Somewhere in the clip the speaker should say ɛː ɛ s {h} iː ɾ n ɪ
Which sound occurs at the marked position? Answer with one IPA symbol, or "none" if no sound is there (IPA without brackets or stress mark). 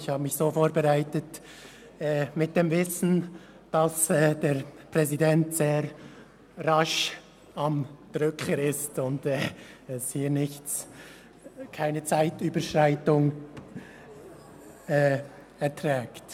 h